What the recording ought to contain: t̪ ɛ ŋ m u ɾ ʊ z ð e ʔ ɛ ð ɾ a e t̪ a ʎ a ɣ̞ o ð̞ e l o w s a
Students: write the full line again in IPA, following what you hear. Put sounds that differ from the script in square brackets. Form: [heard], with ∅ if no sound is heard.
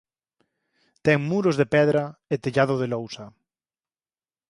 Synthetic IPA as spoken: t̪ ɛ ŋ m u ɾ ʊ z ð e [p] ɛ ð ɾ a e t̪ [e] ʎ a [ð̞] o ð̞ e l o w s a